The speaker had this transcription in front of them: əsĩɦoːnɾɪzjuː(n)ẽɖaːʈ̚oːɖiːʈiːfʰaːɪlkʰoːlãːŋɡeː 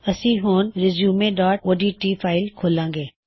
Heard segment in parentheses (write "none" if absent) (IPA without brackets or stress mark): m